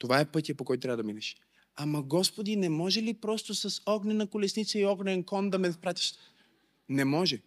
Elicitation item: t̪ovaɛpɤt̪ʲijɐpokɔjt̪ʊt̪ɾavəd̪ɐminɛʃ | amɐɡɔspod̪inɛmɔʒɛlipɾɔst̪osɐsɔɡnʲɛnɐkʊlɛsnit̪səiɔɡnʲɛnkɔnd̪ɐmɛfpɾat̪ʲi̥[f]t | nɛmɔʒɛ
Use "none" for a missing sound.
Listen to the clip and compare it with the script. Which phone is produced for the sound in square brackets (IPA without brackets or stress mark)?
ʃ